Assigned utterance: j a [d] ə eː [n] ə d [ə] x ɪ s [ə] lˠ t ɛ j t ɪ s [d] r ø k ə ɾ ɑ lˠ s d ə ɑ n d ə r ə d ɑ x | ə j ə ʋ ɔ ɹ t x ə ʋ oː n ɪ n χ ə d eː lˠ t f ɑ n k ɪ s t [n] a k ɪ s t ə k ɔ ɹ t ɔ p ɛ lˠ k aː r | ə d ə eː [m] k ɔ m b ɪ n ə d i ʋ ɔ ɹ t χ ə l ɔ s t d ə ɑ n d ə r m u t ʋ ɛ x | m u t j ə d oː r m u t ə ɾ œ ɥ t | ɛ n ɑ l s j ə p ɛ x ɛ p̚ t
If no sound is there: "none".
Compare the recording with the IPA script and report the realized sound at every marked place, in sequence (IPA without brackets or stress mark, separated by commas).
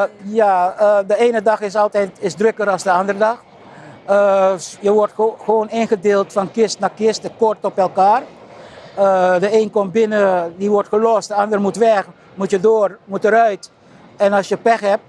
d, n, ɑ, ɑ, d, n, n